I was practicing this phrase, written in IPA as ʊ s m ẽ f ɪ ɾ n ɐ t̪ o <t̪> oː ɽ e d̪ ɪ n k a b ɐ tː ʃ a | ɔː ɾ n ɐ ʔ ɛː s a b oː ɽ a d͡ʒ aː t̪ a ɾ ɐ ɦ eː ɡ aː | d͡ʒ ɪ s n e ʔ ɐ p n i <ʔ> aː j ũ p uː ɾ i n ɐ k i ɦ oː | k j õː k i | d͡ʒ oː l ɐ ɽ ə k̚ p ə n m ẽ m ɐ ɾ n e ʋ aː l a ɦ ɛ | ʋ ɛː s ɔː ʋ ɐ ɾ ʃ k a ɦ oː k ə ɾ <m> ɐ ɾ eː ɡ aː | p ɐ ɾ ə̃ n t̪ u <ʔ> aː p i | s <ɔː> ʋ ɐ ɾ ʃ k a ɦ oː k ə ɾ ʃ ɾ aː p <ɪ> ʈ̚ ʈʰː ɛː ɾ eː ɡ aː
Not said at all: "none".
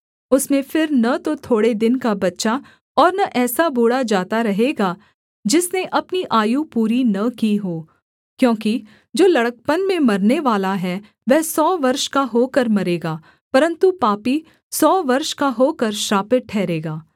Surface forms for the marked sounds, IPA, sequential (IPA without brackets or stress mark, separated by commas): t̪ʰ, ʔ, m, p, ɔː, ɪ